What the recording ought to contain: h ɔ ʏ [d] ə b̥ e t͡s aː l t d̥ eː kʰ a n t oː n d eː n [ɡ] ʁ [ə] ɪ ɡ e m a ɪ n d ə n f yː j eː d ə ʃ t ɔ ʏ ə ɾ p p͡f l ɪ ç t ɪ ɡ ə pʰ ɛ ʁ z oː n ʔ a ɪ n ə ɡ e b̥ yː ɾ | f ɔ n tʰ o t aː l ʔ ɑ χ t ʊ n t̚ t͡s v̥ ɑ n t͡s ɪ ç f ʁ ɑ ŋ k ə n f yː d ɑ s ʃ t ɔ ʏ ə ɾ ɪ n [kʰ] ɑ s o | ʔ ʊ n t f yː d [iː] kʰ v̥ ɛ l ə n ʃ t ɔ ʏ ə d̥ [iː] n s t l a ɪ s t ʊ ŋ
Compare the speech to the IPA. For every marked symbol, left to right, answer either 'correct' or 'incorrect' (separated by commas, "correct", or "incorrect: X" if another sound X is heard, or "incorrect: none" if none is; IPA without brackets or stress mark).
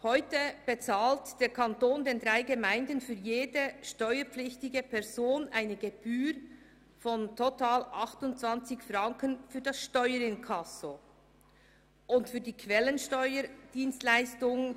incorrect: t, incorrect: d, incorrect: a, correct, correct, correct